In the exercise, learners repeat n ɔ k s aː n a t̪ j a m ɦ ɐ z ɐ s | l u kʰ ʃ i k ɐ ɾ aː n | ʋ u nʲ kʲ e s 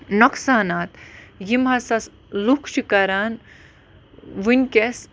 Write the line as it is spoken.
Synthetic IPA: n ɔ k s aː n a t̪ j i m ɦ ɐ s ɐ s | l u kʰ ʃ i k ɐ ɾ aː n | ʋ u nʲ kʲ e s